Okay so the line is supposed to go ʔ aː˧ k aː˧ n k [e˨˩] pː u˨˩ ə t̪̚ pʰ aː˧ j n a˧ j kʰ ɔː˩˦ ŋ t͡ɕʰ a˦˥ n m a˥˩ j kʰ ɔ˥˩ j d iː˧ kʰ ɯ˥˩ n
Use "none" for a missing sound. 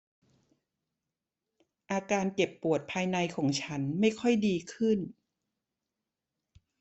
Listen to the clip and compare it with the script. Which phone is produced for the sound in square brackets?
e˨˩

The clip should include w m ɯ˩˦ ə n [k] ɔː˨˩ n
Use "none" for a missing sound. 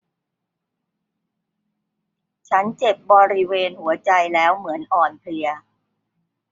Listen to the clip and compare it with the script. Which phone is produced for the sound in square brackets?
ʔ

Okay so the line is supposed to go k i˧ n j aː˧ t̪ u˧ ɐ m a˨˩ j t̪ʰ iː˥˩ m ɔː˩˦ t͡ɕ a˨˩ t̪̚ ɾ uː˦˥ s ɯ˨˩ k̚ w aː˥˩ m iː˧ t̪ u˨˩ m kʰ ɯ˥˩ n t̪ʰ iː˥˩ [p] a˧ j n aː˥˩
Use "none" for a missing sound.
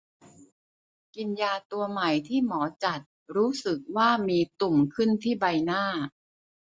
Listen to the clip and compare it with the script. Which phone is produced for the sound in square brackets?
b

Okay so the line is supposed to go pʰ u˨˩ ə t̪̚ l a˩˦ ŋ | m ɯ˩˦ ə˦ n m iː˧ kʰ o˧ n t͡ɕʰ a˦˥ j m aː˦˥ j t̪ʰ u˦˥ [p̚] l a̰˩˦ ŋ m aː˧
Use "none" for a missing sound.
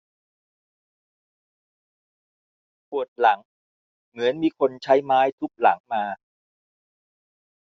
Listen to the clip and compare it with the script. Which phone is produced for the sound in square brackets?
k̚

